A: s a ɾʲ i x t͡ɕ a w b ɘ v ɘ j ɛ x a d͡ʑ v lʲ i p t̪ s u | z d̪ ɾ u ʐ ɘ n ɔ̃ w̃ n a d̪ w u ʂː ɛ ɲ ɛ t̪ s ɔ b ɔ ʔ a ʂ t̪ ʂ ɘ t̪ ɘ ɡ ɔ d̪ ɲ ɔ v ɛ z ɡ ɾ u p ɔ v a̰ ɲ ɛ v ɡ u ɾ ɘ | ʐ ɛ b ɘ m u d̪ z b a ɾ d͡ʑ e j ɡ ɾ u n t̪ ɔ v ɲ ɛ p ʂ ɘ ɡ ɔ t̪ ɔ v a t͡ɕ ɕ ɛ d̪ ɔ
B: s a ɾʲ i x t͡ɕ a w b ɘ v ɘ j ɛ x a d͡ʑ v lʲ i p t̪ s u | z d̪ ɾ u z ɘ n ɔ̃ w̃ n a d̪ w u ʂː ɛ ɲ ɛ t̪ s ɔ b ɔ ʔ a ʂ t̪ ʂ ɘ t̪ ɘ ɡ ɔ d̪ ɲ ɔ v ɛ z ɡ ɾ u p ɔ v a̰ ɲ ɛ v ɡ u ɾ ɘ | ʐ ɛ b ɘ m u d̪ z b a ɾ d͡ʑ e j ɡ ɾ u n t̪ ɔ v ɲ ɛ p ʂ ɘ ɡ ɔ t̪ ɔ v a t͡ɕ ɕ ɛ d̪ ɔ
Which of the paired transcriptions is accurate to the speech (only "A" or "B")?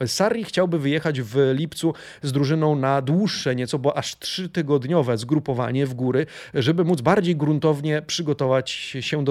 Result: A